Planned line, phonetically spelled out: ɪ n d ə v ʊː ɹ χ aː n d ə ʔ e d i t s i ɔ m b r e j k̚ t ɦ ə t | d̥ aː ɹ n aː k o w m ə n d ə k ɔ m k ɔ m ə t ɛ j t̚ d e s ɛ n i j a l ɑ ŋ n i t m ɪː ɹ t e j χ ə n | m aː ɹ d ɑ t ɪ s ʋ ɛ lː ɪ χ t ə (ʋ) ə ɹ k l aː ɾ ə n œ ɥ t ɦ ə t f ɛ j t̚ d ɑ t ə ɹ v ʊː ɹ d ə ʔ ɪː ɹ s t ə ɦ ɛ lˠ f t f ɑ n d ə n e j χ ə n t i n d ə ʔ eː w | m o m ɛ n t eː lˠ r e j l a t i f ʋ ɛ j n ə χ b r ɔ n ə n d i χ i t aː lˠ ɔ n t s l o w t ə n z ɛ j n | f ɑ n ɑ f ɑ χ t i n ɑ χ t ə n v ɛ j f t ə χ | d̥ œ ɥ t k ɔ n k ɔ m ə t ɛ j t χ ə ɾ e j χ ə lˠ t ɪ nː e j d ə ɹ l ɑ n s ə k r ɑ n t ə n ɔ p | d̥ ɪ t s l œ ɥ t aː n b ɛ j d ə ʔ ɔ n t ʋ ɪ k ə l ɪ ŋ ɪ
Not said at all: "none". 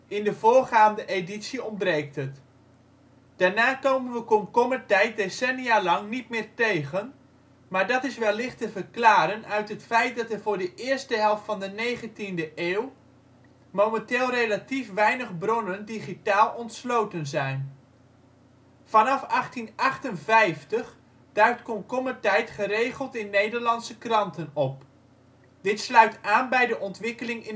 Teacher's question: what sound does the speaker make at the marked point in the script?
v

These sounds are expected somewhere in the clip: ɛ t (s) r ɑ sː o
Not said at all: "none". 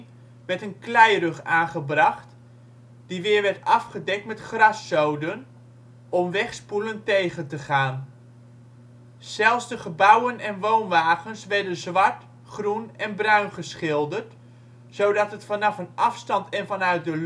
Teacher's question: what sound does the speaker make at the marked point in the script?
χ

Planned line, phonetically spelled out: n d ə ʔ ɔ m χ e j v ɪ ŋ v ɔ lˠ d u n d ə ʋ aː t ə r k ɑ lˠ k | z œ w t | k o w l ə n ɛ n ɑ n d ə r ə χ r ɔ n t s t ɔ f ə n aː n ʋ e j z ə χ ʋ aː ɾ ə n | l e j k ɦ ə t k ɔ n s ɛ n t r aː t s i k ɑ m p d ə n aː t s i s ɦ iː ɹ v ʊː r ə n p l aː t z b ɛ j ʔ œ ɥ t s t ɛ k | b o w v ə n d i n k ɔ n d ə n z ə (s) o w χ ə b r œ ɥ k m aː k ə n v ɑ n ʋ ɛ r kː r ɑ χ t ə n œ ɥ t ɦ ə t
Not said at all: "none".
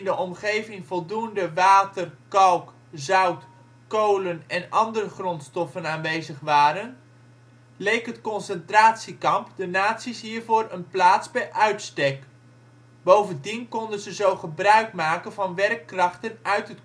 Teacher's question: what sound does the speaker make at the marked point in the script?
z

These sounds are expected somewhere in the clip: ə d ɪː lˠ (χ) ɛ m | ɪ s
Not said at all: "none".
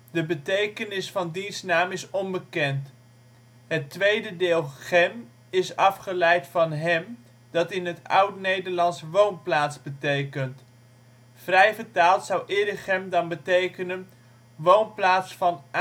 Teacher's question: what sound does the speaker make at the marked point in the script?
χ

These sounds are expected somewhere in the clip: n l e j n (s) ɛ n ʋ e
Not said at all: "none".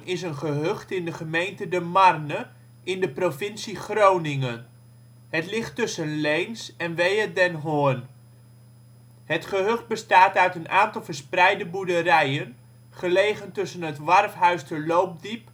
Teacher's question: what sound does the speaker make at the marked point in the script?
s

